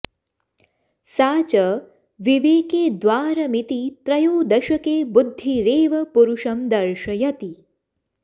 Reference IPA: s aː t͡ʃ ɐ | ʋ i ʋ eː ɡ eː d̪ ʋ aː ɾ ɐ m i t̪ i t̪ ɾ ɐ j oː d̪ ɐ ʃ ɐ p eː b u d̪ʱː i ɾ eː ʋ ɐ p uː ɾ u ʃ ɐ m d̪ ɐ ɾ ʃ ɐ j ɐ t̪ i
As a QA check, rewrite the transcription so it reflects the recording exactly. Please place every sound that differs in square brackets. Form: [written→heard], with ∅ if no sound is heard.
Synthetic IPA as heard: s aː t͡ʃ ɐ | ʋ i ʋ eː [ɡ→k] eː d̪ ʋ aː ɾ ɐ m i t̪ i t̪ ɾ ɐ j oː d̪ ɐ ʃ ɐ [p→k] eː b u d̪ʱː i ɾ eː ʋ ɐ p [uː→u] ɾ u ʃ ɐ m d̪ ɐ ɾ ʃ ɐ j ɐ t̪ i